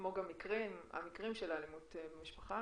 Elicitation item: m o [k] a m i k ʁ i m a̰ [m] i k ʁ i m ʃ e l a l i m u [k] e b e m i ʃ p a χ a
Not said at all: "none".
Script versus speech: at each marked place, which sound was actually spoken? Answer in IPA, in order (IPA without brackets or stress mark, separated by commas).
ɡ, m, t